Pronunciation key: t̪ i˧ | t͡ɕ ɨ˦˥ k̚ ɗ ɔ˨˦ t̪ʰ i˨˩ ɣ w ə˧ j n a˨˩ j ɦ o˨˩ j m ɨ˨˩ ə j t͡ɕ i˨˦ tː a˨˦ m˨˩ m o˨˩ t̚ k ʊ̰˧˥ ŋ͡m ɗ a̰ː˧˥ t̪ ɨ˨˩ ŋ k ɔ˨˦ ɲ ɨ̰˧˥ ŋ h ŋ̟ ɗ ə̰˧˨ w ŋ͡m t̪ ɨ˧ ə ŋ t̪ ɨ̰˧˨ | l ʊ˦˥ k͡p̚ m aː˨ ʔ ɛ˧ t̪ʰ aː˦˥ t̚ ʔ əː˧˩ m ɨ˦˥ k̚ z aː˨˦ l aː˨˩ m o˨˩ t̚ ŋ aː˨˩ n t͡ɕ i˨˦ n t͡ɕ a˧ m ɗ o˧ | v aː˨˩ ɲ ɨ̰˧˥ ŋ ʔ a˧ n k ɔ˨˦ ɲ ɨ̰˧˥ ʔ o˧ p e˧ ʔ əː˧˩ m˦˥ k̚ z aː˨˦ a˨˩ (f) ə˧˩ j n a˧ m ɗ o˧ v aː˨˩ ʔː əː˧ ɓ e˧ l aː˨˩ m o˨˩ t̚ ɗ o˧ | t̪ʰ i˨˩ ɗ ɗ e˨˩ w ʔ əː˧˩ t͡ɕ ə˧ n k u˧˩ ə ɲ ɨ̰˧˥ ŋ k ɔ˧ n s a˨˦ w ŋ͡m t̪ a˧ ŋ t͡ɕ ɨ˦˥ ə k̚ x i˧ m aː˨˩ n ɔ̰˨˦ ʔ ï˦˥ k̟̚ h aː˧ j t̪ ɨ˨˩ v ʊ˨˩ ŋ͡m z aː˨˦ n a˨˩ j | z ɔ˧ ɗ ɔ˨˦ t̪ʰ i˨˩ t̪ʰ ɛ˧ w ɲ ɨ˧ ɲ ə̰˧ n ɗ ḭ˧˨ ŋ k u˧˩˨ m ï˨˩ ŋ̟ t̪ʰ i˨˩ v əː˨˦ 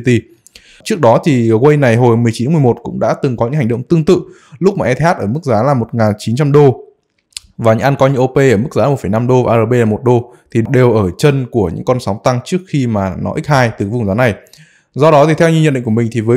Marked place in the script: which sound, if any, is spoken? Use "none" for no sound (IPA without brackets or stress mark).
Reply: f